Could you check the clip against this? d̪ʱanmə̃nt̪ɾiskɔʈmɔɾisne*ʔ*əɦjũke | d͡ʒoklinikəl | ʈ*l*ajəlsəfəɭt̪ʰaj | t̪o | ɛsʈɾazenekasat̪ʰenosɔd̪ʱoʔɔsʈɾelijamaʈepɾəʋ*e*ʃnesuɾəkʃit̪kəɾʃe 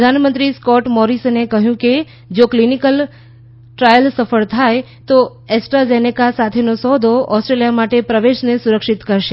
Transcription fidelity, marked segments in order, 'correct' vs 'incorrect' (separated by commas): incorrect, incorrect, correct